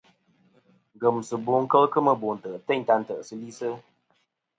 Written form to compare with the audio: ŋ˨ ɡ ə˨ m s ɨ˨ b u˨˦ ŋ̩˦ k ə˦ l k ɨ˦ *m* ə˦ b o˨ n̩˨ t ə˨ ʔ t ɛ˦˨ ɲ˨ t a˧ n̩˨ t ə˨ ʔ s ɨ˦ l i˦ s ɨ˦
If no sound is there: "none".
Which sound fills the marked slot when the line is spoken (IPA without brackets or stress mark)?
m